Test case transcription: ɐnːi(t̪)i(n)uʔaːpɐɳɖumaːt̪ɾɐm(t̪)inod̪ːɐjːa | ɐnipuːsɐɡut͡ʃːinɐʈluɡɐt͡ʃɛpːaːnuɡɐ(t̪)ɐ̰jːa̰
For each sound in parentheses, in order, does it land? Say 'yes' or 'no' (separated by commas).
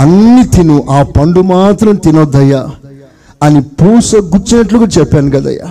yes, yes, yes, no